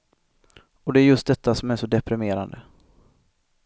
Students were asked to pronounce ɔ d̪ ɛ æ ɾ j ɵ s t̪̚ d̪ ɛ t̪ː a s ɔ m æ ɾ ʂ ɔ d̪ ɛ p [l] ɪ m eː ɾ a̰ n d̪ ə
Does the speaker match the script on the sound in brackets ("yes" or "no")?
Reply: no